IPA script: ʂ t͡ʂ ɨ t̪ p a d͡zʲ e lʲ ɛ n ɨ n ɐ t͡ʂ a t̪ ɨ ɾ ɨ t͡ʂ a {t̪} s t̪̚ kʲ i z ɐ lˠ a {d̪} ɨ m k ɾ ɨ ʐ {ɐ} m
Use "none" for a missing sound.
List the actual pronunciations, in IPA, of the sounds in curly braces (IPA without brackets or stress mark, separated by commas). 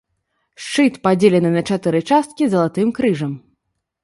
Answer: none, t̪, ɐ